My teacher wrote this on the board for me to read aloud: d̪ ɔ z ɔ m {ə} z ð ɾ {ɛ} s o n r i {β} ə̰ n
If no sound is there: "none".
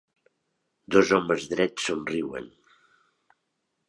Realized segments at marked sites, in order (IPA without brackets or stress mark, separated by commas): ə, ɛ, w